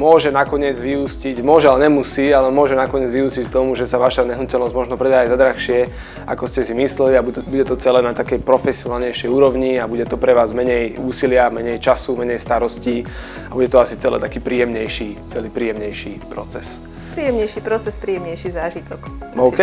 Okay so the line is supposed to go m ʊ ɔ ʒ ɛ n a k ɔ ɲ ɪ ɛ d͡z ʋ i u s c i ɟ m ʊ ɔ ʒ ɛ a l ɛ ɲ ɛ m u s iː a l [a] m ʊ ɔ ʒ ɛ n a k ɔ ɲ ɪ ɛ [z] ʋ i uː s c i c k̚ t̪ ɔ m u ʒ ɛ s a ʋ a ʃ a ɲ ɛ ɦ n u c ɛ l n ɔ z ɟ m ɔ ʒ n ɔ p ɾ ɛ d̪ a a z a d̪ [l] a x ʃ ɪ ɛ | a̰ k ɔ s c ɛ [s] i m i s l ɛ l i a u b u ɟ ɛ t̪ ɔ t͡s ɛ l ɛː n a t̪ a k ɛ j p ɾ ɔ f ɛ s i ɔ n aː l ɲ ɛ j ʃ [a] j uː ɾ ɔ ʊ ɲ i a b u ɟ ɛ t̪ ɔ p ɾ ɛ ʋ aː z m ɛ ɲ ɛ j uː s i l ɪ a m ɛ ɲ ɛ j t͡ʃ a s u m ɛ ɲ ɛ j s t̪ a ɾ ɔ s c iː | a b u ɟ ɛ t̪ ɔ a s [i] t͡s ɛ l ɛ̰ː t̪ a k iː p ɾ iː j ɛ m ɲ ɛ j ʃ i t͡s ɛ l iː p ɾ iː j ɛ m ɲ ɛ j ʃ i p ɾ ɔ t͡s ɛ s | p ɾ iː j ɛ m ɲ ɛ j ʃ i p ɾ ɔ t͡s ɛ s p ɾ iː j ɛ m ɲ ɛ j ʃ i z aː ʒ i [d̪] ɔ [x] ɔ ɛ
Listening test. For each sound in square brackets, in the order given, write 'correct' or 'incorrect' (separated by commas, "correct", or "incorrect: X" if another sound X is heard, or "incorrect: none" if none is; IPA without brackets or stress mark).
incorrect: ɛ, incorrect: d͡z, incorrect: ɾ, correct, incorrect: ɛ, correct, incorrect: t̪, incorrect: k